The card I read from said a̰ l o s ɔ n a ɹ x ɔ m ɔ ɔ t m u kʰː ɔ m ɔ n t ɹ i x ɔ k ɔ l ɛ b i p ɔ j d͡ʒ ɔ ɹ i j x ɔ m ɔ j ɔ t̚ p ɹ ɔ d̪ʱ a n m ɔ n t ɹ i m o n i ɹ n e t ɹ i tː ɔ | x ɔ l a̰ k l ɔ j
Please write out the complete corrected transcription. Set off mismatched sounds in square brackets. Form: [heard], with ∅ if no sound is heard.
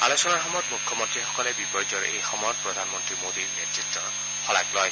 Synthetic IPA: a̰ l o s ɔ n a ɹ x ɔ m ɔ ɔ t m u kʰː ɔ m ɔ n t ɹ i x ɔ k ɔ l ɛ b i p ɔ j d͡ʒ ɔ ɹ [e] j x ɔ m ɔ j ɔ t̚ p ɹ ɔ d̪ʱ a n m ɔ n t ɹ i m o [d] i ɹ n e t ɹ i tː ɔ | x ɔ l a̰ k l ɔ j